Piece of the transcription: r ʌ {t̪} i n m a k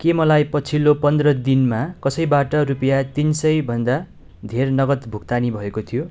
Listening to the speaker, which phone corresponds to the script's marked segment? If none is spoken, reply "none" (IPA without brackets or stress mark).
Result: d̪